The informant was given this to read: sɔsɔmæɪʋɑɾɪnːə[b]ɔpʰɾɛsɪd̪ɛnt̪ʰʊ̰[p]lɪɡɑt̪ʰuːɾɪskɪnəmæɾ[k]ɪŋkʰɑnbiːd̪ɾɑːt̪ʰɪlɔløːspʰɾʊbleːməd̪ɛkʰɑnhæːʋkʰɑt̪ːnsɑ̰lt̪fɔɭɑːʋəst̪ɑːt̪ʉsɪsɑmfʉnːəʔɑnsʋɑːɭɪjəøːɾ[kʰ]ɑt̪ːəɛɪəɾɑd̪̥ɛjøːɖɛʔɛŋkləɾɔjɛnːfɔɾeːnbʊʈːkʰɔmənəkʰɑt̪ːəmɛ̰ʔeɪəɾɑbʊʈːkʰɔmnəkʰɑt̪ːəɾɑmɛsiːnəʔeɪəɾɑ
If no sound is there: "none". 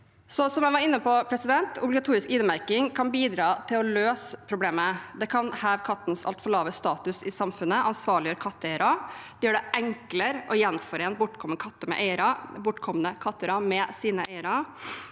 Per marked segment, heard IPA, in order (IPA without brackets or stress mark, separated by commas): p, b, k, kʰ